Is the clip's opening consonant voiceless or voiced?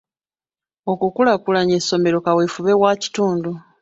voiceless